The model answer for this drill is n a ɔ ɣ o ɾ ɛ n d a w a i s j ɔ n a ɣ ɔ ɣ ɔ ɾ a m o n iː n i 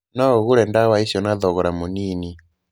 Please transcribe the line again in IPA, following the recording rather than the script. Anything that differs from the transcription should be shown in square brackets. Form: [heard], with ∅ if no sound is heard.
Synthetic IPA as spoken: n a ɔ ɣ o ɾ ɛ n d a w a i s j ɔ n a [ð] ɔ ɣ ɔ ɾ a m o n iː n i